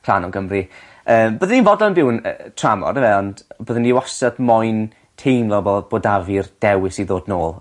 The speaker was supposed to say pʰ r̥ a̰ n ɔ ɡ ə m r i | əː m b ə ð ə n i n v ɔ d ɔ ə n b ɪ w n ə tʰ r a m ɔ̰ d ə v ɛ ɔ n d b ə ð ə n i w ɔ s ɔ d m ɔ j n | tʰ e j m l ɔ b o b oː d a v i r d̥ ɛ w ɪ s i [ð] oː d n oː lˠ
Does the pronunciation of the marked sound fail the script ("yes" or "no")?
no